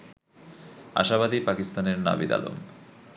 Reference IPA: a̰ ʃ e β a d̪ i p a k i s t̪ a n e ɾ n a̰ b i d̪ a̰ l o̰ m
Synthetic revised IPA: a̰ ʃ a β a d̪ i p a k i s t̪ a n e ɾ n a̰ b i d̪ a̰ l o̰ m